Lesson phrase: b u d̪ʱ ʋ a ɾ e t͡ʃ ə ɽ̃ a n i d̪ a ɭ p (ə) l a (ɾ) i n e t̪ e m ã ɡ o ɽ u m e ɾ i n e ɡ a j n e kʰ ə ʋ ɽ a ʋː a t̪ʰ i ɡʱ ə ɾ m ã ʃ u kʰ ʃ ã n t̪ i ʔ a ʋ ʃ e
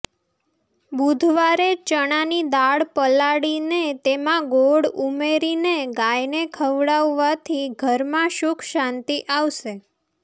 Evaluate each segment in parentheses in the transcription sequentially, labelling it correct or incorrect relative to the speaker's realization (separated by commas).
correct, incorrect